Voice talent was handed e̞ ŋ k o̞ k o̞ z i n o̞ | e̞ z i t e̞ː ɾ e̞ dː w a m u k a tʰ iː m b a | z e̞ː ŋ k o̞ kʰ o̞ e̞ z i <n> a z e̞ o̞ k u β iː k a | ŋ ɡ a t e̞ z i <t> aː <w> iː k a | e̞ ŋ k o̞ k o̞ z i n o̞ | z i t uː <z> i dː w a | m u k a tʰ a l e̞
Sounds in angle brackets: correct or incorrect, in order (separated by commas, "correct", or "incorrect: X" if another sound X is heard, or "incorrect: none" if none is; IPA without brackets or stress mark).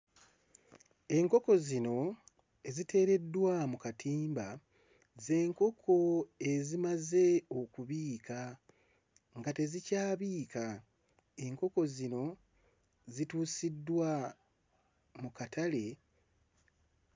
incorrect: m, incorrect: c, incorrect: β, incorrect: s